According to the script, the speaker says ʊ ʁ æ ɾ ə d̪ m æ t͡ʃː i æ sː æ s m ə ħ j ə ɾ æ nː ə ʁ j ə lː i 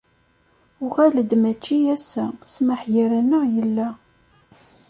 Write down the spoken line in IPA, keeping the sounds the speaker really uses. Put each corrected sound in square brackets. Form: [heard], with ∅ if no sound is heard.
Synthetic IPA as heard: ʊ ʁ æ [l] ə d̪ m æ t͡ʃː i æ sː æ s m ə ħ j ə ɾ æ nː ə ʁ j ə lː [æ]